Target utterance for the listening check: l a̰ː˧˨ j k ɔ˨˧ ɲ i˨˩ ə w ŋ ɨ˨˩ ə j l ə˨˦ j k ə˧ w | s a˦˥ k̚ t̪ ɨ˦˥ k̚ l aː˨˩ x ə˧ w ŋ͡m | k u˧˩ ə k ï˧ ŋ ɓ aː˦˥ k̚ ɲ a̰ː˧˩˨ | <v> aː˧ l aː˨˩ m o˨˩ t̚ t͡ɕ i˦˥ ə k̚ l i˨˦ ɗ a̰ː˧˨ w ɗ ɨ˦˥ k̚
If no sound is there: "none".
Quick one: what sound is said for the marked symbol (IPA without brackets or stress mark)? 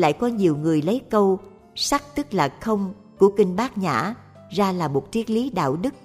z